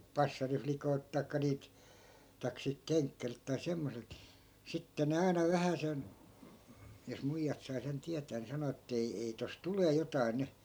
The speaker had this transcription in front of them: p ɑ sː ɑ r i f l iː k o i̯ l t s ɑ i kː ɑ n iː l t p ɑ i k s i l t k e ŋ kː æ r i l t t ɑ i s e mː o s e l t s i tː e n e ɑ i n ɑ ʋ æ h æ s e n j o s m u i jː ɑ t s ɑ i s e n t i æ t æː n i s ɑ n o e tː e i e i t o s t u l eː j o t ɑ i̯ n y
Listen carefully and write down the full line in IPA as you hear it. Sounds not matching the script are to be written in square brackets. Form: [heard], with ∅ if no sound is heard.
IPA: p ɑ sː ɑ r i f l [i] k o i̯ l t [t] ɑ i kː ɑ n iː l t [t] ɑ i k s i l t k e ŋ kː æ r i l t t ɑ i s e mː o s e l t s i tː e n e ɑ i n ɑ ʋ æ h æ s e n j o s m u i jː ɑ t s ɑ i s e n t i æ t æː n i s ɑ n o e tː e i e i t o s t u l eː j o t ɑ i̯ n y